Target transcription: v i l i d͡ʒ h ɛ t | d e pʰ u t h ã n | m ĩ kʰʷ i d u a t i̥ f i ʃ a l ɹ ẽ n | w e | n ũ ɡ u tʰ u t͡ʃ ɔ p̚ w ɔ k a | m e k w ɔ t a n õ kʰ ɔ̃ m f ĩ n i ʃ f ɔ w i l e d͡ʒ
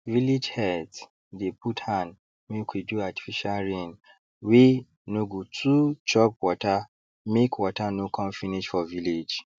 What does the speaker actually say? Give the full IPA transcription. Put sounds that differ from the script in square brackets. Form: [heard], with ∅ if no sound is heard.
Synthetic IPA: v i l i d͡ʒ h ɛ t | d e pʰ u t h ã n | m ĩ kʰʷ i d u a t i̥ f i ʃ a l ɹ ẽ n | w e | n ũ ɡ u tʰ u t͡ʃ ɔ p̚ w ɔ [t] a | m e k w ɔ t a n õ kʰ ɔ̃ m f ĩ n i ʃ f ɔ [v] i l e d͡ʒ